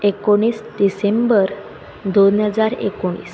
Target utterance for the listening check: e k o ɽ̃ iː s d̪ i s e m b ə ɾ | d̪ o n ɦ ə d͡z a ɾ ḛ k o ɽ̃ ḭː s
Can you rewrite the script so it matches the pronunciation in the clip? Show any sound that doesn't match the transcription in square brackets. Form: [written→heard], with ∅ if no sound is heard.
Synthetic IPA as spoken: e k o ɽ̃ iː s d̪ i s e m b ə ɾ | d̪ o n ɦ ə d͡z a ɾ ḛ k o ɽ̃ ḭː s